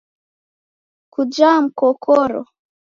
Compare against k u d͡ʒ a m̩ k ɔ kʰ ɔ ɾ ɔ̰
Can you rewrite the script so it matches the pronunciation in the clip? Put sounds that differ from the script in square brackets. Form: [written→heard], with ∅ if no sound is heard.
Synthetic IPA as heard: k u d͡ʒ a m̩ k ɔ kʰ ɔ ɾ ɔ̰